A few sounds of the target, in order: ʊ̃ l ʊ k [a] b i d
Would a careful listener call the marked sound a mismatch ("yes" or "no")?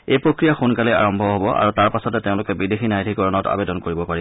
yes